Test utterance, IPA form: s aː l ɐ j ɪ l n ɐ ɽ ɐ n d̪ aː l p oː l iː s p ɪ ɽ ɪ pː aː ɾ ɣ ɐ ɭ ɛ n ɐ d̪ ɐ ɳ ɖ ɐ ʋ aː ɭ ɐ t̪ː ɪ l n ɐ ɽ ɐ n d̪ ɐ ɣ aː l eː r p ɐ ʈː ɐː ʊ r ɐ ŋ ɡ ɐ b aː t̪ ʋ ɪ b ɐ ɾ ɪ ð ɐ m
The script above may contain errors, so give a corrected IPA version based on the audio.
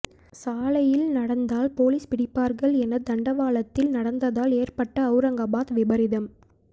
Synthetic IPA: s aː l ɐ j ɪ l n ɐ ɽ ɐ n d̪ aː l p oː l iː s p ɪ ɽ ɪ pː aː ɾ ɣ ɐ ɭ ɛ n ɐ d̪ ɐ ɳ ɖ ɐ ʋ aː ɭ ɐ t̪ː ɪ l n ɐ ɽ ɐ n d̪ ɐ ð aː l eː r p ɐ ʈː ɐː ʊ ɾ ɐ ŋ ɡ ɐ b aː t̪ ʋ ɪ b ɐ ɾ ɪ ð ɐ m